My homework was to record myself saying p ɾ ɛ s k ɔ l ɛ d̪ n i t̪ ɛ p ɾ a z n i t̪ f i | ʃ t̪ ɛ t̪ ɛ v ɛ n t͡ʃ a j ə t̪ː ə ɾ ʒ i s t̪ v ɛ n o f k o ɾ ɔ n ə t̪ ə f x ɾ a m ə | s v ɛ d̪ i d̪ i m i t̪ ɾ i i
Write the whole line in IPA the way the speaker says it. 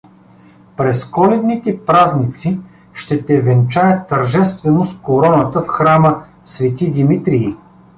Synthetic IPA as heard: p ɾ ɛ s k ɔ l ɛ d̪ n i t̪ ɛ p ɾ a z n i t̪ s i | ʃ t̪ ɛ t̪ ɛ v ɛ n t͡ʃ a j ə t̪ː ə ɾ ʒ ɛ s t̪ v ɛ n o s k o ɾ ɔ n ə t̪ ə f x ɾ a m ə | s v ɛ t̪ i d̪ i m i t̪ ɾ i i